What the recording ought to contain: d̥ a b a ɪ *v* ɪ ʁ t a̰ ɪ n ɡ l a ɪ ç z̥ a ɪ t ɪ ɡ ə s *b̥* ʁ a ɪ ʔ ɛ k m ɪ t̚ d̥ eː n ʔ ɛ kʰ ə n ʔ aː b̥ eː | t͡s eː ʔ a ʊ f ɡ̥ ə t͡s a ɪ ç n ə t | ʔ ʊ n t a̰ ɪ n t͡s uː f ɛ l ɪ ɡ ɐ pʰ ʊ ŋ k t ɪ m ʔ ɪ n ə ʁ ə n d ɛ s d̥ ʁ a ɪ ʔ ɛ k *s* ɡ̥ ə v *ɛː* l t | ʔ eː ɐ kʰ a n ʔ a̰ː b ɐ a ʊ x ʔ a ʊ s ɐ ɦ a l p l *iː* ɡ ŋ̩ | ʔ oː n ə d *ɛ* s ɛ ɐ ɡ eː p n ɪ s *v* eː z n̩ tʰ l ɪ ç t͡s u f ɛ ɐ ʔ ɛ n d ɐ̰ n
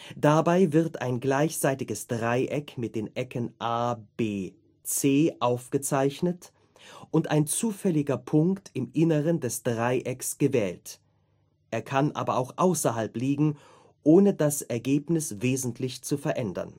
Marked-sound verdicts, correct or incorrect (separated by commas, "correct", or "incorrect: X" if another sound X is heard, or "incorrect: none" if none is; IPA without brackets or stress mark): correct, incorrect: d̥, correct, correct, correct, incorrect: a, correct